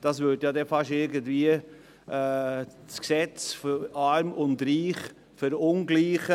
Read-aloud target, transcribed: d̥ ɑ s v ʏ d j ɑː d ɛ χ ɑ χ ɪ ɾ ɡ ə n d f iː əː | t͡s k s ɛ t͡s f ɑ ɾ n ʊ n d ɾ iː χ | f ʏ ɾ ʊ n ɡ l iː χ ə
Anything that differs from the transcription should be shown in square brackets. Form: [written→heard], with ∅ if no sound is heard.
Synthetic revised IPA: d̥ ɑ s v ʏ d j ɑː d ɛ [χ→f] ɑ [χ→ʃ] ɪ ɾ ɡ ə n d [f→v] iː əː | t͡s k s ɛ t͡s f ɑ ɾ [n→m] ʊ n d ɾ iː χ | f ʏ ɾ ʊ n ɡ l iː χ ə